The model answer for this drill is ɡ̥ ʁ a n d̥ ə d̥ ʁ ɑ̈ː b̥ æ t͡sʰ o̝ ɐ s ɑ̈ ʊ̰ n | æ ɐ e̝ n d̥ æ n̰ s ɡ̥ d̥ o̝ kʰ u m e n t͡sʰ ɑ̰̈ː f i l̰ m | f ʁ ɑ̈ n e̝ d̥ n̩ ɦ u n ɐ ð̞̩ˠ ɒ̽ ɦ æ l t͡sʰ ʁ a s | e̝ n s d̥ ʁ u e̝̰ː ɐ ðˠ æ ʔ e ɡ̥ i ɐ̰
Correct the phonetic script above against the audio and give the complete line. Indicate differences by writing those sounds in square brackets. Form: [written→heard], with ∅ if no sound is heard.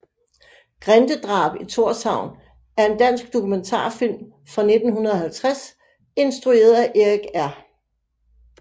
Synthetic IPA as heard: ɡ̥ ʁ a n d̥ ə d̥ ʁ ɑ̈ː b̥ [æ→i] t͡sʰ o̝ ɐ s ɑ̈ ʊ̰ n | æ ɐ e̝ n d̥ æ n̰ s ɡ̥ d̥ o̝ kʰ u m e n t͡sʰ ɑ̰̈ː f i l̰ m | f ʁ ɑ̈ n e̝ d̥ n̩ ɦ u n ɐ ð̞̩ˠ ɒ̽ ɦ æ l t͡sʰ ʁ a s | e̝ n s d̥ ʁ u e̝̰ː ɐ ðˠ æ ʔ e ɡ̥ [i→æ] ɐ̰